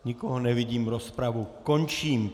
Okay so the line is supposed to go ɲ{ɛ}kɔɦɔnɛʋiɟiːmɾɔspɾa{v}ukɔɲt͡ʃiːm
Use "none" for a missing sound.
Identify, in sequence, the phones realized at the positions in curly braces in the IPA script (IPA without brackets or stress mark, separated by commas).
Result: i, ʋ